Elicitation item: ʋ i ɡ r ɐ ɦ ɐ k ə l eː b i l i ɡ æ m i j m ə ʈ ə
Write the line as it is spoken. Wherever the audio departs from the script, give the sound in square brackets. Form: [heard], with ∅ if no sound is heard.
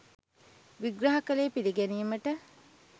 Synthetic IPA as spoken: ʋ i ɡ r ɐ ɦ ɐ k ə l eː [p] i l i ɡ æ [n] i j m ə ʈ ə